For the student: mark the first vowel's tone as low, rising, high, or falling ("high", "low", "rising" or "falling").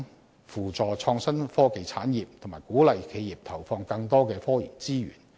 low